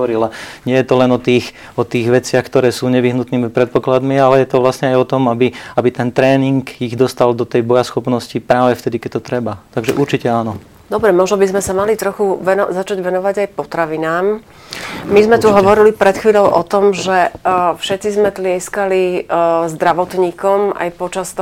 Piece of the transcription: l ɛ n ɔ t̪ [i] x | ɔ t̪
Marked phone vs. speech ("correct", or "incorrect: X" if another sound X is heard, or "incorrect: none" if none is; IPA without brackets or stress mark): incorrect: iː